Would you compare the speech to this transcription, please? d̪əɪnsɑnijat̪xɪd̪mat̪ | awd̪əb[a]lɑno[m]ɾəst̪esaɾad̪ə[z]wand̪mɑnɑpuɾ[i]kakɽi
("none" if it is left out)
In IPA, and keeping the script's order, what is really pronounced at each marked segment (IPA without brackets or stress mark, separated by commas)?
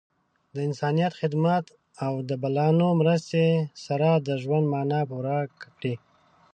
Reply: a, m, ʒ, a